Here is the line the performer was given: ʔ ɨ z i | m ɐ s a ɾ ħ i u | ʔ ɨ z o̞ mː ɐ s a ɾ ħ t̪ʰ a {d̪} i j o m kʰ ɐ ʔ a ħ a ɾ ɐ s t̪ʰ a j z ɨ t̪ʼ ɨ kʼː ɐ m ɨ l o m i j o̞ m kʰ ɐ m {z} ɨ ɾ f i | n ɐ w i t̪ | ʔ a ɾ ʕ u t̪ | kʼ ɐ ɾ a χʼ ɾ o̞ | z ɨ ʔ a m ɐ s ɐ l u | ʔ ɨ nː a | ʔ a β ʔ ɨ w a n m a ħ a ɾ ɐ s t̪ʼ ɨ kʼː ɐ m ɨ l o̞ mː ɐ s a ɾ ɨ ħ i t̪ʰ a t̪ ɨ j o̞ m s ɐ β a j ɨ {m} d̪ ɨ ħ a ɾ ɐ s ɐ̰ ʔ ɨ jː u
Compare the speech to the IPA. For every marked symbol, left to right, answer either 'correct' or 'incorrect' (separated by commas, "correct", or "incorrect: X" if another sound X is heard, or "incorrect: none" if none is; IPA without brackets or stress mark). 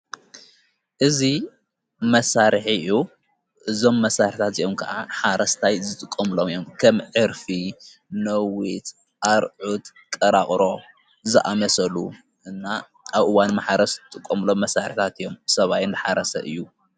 incorrect: t̪, incorrect: ʕ, incorrect: n